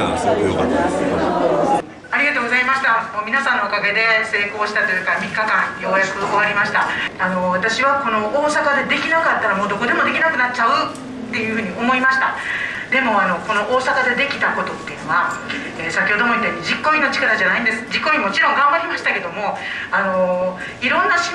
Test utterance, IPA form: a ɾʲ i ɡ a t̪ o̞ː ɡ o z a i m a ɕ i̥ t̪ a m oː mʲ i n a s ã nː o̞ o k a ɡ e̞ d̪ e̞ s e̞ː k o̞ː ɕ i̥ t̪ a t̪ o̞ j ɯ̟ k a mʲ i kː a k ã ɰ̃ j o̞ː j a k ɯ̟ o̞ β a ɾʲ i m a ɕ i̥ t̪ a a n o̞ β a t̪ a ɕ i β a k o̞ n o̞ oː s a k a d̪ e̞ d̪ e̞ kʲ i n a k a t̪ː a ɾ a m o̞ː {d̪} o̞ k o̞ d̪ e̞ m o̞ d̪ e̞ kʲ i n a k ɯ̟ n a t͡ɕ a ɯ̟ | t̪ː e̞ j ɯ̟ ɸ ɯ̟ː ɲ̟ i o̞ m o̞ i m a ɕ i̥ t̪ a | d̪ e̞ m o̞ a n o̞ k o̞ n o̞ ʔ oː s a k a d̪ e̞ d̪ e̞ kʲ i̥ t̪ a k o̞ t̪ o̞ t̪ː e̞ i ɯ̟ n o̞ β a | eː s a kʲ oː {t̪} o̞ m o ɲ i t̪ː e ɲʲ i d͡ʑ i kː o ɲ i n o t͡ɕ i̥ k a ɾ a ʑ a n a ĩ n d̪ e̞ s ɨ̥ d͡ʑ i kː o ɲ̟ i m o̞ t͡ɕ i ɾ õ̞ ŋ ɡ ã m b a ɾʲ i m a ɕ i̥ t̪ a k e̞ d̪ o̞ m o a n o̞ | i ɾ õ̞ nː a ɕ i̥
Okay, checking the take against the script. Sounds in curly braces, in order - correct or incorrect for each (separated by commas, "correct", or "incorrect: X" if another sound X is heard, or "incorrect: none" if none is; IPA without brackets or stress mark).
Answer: correct, incorrect: d̪